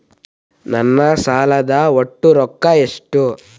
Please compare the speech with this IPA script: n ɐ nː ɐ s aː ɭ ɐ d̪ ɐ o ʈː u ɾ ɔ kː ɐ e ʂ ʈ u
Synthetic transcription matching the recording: n ɐ nː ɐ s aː l ɐ d̪ ɐ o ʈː u ɾ ɔ kː ɐ e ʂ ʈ u